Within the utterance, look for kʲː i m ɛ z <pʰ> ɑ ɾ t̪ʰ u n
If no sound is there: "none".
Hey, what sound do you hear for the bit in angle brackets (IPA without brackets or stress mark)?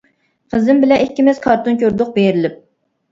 kʰ